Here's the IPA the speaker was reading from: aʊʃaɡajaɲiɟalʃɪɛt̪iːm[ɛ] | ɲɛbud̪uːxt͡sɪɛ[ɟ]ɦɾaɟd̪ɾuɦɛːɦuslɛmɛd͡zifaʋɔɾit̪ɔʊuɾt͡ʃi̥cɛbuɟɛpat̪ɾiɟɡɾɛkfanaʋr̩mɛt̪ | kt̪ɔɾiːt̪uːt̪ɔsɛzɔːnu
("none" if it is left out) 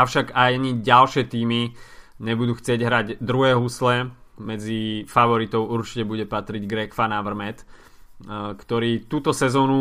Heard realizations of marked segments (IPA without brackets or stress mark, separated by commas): i, ɟ